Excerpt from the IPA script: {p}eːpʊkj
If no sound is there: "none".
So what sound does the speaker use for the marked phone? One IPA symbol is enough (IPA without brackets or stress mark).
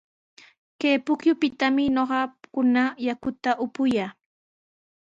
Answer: k